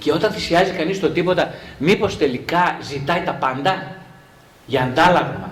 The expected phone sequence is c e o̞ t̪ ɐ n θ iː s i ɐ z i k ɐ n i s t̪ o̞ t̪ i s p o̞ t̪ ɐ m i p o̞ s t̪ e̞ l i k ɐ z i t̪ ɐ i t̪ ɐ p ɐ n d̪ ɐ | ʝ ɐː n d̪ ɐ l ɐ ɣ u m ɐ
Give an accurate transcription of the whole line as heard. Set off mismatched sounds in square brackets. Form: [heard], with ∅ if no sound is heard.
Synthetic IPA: c e o̞ t̪ ɐ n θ [i] s i ɐ z i k ɐ n i s t̪ o̞ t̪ i [∅] p o̞ t̪ ɐ m i p o̞ s t̪ e̞ l i k ɐ z i t̪ ɐ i t̪ ɐ p ɐ n d̪ ɐ | ʝ ɐː n d̪ ɐ l ɐ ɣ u m ɐ